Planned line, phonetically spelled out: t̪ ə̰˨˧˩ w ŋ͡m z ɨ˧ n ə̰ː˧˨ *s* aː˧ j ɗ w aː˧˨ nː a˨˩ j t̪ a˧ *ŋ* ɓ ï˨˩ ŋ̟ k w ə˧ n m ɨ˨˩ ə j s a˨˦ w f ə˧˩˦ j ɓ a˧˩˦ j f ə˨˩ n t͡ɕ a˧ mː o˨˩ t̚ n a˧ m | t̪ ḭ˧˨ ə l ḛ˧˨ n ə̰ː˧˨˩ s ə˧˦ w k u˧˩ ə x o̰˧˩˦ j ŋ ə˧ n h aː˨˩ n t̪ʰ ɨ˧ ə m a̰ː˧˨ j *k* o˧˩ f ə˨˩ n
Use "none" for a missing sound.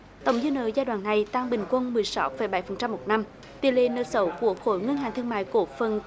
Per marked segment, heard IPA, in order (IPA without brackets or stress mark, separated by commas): z, ŋ, k